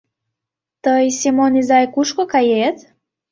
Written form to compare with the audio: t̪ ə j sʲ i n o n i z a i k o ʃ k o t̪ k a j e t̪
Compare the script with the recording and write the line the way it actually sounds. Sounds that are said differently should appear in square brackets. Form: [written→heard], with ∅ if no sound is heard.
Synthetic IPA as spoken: t̪ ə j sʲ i [n→m] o n i z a [i→j] k [o→u] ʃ k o [t̪→∅] k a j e t̪